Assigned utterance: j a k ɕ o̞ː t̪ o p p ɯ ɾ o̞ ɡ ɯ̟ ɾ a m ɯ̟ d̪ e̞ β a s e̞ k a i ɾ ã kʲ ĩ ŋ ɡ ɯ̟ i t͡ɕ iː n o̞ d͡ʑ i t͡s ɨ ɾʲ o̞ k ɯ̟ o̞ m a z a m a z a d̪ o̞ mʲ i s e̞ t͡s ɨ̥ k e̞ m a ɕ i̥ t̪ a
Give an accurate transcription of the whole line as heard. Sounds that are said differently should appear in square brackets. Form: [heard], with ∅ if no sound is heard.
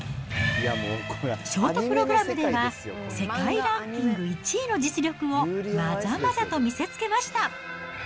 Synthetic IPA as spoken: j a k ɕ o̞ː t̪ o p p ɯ ɾ o̞ ɡ ɯ̟ ɾ a m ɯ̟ d̪ e̞ β a s e̞ k a i ɾ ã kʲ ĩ ŋ ɡ ɯ̟ i t͡ɕ iː n o̞ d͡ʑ i t͡s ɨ ɾʲ o̞ k ɯ̟ o̞ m a z a m a z a [t̪] o̞ mʲ i s e̞ t͡s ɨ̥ k e̞ m a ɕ i̥ t̪ a